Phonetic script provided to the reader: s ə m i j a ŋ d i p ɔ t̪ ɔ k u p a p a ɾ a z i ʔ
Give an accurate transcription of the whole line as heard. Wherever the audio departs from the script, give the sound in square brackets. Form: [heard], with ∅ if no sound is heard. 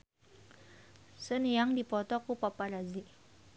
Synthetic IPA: s ə [n] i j a ŋ d i p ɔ t̪ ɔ k u p a p a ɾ a z i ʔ